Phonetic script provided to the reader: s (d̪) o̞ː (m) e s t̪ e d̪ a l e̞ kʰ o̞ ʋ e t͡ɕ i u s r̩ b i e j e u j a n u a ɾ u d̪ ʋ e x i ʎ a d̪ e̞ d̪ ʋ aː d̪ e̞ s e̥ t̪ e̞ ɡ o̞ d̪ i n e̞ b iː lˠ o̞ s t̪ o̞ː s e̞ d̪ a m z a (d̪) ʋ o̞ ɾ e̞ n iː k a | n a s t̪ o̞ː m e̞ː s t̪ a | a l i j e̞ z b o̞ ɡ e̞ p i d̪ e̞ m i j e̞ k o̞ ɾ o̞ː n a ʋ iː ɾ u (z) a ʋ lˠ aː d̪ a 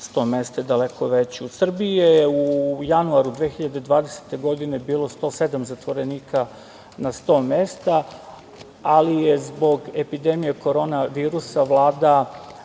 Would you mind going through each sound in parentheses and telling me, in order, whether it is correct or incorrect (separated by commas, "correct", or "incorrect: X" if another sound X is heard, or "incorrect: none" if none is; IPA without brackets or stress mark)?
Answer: incorrect: t̪, correct, incorrect: t̪, incorrect: s